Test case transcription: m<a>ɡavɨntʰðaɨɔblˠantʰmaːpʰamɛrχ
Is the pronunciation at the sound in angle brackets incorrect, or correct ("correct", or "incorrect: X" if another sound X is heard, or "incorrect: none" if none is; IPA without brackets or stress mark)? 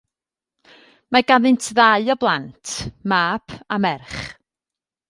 correct